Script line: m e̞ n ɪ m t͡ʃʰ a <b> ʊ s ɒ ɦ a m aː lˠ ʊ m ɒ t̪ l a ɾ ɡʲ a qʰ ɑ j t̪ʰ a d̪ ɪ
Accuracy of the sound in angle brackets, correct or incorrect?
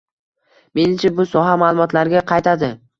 correct